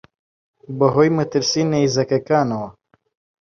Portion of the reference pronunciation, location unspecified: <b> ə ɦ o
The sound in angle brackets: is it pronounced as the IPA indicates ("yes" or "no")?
yes